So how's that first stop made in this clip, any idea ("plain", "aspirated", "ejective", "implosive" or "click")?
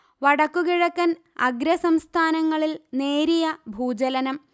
plain